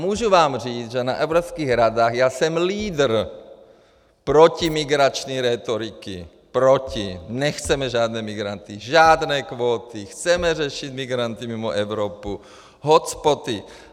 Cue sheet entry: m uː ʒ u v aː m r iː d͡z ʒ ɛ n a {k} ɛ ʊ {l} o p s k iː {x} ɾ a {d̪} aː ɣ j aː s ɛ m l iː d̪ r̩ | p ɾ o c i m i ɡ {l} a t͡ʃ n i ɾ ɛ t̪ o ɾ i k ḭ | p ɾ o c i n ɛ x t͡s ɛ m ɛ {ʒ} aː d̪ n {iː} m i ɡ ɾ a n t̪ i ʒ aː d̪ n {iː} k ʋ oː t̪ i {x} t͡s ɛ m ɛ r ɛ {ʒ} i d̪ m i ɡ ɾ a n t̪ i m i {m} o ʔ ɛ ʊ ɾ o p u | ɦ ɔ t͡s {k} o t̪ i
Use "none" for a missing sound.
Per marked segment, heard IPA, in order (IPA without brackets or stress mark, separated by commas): ʔ, ɾ, ɣ, d̪, ɾ, ʒ, ɛː, ɛː, x, ʃ, m, p